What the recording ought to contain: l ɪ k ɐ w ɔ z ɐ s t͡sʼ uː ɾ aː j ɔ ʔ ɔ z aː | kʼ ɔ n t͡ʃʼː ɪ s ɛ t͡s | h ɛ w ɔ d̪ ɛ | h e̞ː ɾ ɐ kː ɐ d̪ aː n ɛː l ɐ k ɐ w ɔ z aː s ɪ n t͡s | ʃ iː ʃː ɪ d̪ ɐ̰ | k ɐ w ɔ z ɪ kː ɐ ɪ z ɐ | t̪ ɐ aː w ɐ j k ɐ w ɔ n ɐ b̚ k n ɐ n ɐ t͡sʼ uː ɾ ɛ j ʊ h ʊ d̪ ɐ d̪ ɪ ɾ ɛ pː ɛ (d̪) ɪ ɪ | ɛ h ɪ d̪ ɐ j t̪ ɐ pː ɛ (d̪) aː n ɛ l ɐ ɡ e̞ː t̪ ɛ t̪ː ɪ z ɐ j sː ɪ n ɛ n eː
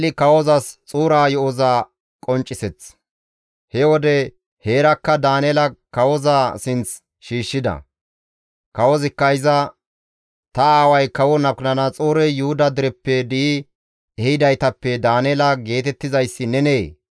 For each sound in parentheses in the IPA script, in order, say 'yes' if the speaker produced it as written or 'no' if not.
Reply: yes, yes

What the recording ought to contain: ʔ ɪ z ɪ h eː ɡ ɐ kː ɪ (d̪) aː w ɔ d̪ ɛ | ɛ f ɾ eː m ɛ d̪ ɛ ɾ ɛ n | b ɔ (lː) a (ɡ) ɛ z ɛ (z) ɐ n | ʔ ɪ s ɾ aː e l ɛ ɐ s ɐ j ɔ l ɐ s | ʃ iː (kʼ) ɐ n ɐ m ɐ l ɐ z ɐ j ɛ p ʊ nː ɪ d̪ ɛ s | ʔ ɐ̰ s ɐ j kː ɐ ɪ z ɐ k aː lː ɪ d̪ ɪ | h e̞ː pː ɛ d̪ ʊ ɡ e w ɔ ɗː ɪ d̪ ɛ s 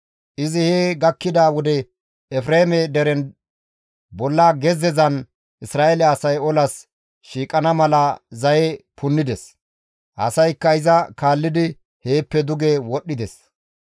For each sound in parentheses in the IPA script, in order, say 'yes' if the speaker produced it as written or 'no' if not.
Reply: yes, yes, yes, yes, yes

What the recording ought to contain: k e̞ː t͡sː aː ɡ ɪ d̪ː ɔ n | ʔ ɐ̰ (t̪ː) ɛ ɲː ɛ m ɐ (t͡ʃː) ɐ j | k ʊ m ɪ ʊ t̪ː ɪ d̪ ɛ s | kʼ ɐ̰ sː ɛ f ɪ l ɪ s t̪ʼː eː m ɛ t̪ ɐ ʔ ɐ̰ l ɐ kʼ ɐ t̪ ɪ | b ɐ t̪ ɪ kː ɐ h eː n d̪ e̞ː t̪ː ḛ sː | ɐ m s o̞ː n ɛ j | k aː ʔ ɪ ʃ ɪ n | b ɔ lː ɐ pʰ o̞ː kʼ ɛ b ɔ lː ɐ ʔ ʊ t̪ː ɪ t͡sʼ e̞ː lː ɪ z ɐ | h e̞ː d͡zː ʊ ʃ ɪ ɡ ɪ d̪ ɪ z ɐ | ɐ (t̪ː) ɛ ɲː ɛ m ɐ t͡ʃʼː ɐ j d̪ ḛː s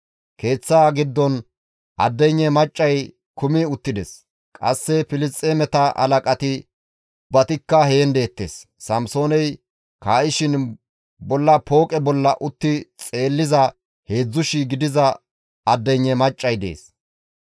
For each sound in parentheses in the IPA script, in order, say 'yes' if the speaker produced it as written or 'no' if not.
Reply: no, no, no

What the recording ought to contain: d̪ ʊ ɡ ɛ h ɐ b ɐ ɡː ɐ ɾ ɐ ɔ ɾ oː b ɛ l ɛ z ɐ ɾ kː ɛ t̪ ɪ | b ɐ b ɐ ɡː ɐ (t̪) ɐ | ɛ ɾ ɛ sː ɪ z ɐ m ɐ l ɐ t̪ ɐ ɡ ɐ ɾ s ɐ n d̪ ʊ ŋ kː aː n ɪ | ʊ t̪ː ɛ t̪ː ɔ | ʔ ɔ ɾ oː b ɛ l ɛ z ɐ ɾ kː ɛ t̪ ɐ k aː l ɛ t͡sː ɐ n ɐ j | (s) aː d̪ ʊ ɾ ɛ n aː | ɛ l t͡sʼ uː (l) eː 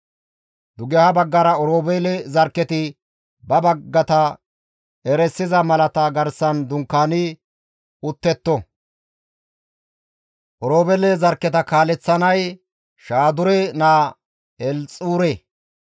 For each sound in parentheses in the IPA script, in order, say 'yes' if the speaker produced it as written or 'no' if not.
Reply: yes, no, no

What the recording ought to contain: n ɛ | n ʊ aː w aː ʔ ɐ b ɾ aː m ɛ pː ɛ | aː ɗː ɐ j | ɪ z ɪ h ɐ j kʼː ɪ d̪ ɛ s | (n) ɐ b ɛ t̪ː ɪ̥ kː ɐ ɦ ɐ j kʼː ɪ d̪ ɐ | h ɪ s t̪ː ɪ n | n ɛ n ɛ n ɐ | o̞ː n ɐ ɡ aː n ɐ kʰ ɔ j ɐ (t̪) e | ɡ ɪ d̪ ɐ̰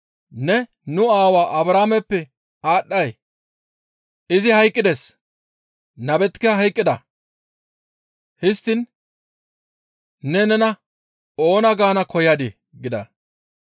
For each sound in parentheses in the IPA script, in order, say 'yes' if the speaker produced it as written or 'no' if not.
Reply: yes, no

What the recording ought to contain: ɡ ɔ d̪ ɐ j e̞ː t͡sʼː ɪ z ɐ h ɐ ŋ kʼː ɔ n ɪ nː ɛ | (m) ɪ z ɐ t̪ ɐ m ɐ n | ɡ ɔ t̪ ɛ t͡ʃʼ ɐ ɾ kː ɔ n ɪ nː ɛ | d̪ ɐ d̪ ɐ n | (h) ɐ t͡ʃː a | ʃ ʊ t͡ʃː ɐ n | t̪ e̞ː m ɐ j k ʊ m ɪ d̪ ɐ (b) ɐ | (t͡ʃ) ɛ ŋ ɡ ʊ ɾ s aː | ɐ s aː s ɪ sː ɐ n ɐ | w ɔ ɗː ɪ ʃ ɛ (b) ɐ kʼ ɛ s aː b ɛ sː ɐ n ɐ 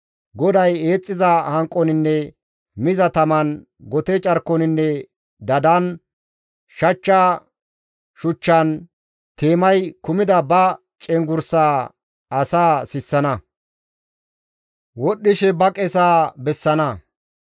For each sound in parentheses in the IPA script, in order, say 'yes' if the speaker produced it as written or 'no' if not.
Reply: yes, no, yes, no, yes

